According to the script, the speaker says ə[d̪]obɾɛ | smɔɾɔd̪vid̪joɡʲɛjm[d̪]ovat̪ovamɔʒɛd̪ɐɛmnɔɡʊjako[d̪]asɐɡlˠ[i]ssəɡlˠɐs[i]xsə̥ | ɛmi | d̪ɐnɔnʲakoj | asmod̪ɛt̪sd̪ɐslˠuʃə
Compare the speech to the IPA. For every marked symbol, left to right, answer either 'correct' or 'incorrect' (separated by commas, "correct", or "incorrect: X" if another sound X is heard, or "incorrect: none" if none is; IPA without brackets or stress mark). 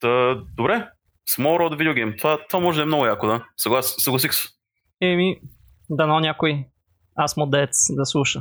correct, incorrect: t̪, correct, incorrect: a, correct